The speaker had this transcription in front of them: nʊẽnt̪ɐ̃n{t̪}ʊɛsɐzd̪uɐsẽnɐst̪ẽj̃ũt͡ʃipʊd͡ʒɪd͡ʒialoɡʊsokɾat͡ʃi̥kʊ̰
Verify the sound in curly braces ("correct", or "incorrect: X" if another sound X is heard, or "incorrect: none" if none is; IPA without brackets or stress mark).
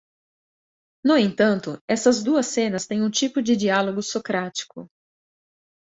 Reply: correct